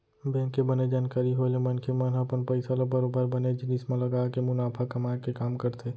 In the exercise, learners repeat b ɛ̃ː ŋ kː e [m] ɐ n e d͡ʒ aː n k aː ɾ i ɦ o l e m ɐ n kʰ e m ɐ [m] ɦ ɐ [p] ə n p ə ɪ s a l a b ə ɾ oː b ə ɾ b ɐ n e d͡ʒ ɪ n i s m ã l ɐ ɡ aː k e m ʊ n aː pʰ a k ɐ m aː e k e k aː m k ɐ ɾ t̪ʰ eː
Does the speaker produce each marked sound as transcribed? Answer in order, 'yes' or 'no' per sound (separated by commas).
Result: no, no, yes